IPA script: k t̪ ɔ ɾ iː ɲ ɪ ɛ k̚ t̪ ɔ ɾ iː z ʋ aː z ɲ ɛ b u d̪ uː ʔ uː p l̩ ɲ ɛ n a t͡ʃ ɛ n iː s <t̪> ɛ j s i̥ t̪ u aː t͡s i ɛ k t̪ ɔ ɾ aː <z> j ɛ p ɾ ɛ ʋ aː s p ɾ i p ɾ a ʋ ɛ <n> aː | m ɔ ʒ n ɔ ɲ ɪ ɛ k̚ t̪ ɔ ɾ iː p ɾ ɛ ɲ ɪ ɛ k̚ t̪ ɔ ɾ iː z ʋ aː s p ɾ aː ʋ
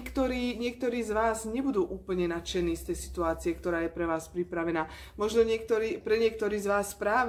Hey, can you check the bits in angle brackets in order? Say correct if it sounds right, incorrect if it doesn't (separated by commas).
correct, incorrect, correct